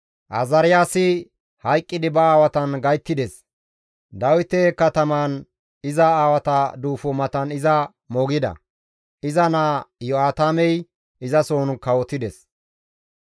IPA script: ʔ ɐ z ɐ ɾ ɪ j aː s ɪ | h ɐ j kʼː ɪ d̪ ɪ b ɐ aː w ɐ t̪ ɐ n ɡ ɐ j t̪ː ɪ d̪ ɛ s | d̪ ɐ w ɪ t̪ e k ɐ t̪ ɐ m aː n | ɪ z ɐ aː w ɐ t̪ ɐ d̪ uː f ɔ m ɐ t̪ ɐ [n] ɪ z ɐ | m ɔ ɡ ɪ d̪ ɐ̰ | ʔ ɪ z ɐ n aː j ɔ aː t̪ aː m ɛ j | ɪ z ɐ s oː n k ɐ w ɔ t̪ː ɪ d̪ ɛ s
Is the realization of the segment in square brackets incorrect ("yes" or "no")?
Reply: no